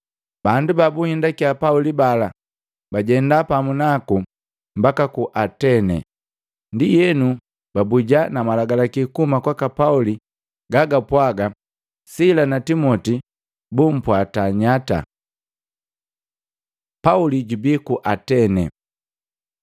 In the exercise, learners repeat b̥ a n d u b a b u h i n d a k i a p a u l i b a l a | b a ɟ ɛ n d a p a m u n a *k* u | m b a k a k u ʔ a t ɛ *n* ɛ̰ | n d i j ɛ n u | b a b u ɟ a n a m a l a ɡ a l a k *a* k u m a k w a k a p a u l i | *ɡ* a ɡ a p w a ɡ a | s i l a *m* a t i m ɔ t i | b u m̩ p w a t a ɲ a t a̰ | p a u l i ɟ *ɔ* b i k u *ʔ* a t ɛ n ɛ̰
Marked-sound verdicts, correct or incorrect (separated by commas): correct, correct, incorrect, correct, incorrect, incorrect, correct